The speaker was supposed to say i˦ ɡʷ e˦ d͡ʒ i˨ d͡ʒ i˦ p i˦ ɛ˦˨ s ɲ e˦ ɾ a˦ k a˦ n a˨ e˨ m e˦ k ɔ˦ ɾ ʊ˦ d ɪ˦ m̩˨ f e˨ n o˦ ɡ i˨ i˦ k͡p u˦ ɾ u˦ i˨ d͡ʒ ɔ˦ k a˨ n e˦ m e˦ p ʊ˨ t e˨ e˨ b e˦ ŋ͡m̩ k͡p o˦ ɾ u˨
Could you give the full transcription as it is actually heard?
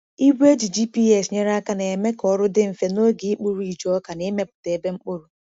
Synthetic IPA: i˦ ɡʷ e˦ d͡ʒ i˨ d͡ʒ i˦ p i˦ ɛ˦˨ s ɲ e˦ ɾ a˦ k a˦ n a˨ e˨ m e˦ k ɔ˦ ɾ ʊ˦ d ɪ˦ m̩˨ f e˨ n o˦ ɡ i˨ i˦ k͡p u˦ ɾ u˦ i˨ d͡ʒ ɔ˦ k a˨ n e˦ m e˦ p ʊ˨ t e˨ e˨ b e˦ ŋ͡m̩ k͡p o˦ ɾ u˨